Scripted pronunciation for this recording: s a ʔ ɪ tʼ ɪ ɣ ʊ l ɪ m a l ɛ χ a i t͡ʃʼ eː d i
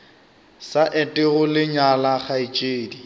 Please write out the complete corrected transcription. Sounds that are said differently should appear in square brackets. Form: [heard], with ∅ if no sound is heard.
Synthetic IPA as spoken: s a ʔ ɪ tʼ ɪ ɣ ʊ l ɪ [ɲ] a l [a] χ a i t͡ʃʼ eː d i